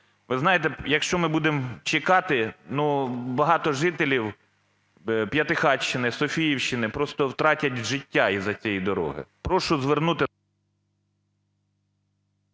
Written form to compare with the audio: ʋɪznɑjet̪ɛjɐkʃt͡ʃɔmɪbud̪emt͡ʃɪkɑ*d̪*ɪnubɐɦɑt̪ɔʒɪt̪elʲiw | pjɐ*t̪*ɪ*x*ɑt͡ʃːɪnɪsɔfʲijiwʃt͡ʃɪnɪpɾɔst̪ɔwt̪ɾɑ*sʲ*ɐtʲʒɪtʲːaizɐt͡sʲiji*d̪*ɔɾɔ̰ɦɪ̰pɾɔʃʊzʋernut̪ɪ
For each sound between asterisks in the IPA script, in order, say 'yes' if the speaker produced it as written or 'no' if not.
no, yes, yes, no, yes

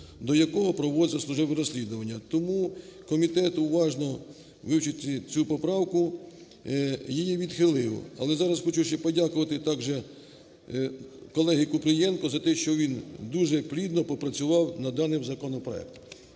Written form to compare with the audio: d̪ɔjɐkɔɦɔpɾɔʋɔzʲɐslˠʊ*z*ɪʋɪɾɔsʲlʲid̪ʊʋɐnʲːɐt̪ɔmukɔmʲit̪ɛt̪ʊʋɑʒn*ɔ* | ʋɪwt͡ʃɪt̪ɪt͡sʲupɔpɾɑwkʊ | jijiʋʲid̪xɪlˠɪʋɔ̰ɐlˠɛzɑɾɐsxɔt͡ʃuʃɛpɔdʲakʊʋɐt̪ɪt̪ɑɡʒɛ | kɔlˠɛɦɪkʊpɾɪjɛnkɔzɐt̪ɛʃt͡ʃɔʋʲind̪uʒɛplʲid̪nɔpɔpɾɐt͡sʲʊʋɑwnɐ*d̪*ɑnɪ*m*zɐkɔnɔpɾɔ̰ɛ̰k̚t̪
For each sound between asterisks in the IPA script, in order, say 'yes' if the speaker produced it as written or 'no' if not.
no, yes, yes, yes

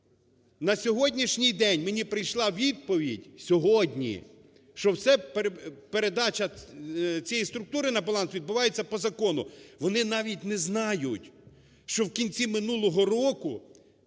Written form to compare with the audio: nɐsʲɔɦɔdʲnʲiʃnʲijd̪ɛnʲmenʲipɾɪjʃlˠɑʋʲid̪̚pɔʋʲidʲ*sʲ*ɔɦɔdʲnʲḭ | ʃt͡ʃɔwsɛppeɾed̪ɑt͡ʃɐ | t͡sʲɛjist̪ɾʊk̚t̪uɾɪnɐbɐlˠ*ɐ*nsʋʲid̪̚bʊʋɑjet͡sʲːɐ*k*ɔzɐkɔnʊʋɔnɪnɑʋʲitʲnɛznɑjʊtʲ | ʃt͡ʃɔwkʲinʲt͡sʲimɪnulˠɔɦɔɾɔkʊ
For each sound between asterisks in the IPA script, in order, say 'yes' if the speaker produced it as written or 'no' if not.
yes, no, no

